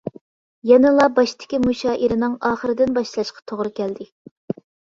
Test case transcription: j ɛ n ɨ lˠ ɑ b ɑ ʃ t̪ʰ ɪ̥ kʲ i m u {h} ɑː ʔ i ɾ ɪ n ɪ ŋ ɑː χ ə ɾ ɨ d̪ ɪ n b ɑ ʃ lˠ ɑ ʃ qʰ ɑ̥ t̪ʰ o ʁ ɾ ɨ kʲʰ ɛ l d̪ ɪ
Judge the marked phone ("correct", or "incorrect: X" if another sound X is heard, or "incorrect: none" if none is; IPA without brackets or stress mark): incorrect: ʃ